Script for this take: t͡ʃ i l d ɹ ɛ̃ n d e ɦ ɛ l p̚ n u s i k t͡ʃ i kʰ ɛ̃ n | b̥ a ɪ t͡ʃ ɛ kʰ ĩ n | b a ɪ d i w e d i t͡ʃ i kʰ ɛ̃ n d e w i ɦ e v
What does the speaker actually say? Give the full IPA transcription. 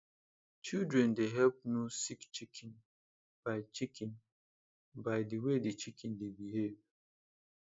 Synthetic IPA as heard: t͡ʃ i l d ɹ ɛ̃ n d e ɦ ɛ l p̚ n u s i k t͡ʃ i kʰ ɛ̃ n | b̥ a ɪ t͡ʃ i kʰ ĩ n | b a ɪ d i w e d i t͡ʃ i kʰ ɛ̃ n d e b i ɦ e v

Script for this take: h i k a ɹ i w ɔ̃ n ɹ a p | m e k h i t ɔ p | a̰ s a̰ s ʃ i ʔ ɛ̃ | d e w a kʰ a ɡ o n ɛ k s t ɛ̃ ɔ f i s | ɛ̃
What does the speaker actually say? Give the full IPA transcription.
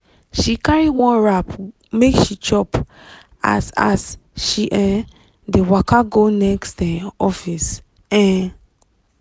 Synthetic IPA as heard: ʃ i k a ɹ i w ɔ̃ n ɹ a p | m e k ʃ i t͡ʃ ɔ p | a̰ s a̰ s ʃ i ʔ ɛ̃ | d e w a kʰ a ɡ o n ɛ k s t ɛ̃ ɔ f i s | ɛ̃

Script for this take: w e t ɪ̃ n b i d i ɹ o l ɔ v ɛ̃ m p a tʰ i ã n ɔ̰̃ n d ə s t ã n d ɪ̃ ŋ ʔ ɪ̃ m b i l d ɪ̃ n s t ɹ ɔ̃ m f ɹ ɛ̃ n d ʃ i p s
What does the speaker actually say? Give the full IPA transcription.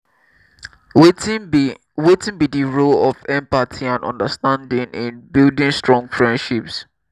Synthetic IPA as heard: w e t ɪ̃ n b i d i ɹ o l ɔ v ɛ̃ m p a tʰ i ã n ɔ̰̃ n d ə s t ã n d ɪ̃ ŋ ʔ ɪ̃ n b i l d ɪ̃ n s t ɹ ɔ̃ ŋ f ɹ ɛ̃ n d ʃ i p s

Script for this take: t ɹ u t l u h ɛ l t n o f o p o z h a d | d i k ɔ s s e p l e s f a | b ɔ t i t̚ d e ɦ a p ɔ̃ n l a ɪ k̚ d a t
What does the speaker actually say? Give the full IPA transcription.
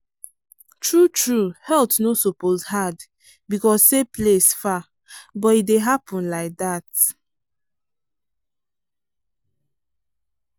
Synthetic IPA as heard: t ɹ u t ɹ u h ɛ l t n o s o p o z h a d | b i k ɔ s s e p l e s f a | b ɔ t i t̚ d e ɦ a p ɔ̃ n l a ɪ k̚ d a t

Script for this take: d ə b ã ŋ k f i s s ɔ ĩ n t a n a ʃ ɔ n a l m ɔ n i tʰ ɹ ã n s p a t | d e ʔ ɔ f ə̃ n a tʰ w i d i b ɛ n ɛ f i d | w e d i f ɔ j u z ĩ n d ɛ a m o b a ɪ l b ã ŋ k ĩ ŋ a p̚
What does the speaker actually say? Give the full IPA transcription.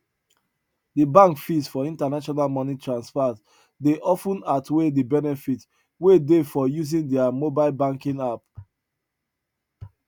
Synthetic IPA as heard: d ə b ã ŋ k f i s f ɔ ĩ n t a n a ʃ ɔ n a l m ɔ n i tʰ ɹ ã n s p a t | d e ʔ ɔ f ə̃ n a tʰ w e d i b ɛ n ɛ f i t | w e d e f ɔ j u z ĩ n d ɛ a m o b a ɪ l b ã ŋ k ĩ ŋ a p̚

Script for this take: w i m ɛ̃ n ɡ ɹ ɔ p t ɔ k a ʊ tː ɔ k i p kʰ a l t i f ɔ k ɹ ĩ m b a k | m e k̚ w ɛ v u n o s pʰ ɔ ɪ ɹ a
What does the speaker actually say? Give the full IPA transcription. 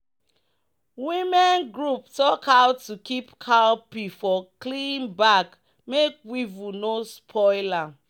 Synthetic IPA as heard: w i m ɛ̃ n ɡ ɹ u p t ɔ k a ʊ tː u k i p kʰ a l p i f ɔ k l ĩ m b a k | m e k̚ w i v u n o s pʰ ɔ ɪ l a

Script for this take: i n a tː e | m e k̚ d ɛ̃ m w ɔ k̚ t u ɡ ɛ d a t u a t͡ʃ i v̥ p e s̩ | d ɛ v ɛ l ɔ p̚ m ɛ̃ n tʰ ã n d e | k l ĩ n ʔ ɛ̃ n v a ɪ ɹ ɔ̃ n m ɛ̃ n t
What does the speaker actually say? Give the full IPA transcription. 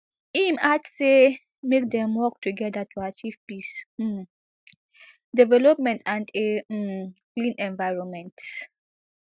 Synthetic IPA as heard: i m a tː e | m e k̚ d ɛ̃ m w ɔ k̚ t u ɡ ɛ d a t u a t͡ʃ i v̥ p i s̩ | d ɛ v ɛ l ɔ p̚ m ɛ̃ n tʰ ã n d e | k l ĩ n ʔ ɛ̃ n v a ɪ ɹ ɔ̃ n m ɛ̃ n t

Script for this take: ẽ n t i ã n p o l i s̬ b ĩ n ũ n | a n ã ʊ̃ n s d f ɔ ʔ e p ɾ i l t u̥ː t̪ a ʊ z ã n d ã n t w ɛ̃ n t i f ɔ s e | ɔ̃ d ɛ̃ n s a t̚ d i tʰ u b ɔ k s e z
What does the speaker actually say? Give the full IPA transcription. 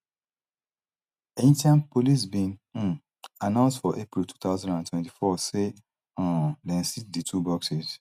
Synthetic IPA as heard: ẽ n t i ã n p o l i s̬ b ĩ n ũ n | a n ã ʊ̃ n s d f ɔ ʔ e p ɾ i l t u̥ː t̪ a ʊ z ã n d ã n t w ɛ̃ n t i f ɔ s e | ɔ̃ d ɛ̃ n s i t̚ d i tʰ u b ɔ k s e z

